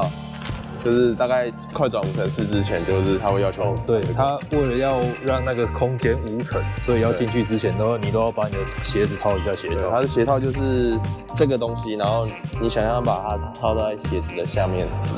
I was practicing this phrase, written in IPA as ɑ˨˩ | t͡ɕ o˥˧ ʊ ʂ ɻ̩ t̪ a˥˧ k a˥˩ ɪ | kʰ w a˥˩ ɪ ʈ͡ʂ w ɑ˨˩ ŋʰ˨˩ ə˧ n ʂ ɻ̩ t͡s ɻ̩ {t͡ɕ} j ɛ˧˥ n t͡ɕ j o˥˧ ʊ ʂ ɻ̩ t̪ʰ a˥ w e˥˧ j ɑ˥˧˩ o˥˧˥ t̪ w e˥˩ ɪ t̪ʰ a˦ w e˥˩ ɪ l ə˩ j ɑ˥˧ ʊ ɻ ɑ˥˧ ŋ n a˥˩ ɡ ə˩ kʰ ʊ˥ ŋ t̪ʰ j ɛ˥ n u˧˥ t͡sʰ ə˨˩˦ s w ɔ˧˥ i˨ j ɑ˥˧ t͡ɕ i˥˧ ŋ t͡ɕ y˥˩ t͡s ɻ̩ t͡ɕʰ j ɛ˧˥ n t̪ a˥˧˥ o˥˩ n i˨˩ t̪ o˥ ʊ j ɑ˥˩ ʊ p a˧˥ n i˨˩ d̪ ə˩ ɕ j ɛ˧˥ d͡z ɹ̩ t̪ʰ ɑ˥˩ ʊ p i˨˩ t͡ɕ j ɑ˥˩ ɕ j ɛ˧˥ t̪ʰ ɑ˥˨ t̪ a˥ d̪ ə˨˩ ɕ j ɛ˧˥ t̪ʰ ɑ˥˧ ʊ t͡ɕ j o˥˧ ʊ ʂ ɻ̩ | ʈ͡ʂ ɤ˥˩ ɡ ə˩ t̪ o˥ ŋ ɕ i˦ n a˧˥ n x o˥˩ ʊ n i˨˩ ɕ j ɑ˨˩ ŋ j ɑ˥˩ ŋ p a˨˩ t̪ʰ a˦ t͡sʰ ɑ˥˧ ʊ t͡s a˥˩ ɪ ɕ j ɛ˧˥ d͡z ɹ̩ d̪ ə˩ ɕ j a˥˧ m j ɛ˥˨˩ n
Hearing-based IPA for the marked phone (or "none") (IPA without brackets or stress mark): t͡ɕʰ